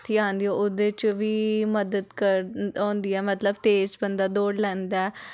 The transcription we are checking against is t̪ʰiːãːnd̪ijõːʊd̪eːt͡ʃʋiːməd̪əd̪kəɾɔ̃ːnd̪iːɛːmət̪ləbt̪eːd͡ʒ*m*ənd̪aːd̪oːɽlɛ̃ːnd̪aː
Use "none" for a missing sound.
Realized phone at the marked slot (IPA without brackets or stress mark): b